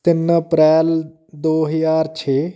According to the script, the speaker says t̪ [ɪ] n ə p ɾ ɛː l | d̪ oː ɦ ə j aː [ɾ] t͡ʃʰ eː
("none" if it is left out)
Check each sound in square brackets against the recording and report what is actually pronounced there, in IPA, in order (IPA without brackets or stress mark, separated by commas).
ɪ, ɾ